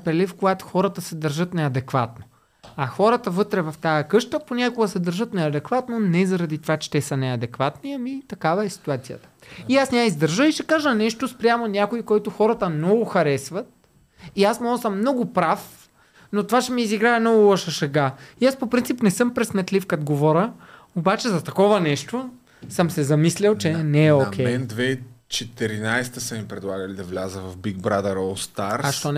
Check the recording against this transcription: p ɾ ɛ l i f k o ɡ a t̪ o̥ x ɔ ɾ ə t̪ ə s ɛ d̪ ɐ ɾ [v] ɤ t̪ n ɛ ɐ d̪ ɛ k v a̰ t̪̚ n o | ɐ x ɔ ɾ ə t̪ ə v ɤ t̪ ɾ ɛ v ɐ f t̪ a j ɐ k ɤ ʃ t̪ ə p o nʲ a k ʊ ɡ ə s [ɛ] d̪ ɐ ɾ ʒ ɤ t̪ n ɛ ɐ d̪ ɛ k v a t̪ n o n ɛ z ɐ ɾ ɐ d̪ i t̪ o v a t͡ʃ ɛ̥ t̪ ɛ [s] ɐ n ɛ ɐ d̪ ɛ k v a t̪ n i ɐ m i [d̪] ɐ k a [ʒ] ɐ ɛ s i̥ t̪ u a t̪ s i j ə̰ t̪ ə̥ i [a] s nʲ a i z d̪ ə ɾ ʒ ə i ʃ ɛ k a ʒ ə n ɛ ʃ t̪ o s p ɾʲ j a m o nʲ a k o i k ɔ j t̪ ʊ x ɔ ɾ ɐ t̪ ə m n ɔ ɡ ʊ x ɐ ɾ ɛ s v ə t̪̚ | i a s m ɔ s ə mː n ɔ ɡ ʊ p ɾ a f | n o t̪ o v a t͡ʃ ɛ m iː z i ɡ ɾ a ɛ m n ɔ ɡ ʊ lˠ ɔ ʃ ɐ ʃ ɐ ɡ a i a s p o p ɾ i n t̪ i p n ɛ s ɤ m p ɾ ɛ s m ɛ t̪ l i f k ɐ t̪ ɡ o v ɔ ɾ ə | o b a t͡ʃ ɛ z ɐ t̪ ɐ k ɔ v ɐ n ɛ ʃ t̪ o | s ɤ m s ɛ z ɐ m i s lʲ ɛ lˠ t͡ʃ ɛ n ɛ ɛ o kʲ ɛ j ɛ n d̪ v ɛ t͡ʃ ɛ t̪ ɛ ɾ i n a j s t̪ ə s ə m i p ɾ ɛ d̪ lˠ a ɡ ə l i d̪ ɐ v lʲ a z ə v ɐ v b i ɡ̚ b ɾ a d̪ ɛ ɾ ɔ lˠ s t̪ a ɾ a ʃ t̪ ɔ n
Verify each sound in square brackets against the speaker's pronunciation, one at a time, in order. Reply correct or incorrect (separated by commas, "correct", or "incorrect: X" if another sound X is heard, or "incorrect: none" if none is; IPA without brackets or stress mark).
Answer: incorrect: ʒ, correct, correct, incorrect: t̪, incorrect: v, correct